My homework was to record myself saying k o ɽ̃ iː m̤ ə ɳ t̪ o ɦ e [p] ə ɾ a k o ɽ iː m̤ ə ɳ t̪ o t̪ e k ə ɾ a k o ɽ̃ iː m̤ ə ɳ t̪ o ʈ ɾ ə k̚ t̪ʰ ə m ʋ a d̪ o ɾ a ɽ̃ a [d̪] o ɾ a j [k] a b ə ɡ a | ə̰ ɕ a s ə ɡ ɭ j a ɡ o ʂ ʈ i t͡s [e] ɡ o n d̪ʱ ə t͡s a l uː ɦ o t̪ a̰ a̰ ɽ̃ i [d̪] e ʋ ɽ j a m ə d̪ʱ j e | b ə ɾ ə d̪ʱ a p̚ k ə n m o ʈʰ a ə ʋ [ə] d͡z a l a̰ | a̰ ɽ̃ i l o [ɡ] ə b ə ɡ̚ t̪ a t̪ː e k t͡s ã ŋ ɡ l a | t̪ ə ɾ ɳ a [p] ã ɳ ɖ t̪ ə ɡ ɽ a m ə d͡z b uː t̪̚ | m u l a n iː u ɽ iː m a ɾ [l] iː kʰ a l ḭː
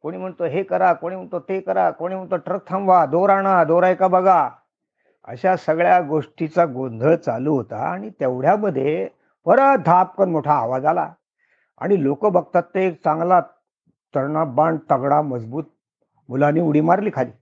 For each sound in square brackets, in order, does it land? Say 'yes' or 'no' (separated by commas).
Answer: no, yes, yes, no, no, no, no, no, yes